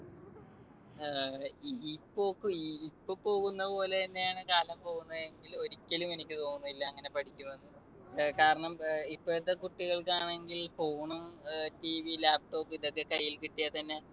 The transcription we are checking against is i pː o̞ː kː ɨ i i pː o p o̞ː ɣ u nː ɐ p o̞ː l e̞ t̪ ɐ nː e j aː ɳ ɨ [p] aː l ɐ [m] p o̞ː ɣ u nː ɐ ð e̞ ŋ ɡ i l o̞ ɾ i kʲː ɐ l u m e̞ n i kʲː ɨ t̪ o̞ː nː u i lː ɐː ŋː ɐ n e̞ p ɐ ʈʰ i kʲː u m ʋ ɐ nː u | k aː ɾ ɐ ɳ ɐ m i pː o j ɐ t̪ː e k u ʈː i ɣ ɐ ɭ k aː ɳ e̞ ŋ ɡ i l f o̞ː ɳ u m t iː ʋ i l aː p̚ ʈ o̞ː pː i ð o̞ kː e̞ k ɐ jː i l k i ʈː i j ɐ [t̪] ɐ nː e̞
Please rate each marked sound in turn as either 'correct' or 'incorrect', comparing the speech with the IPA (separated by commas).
incorrect, correct, correct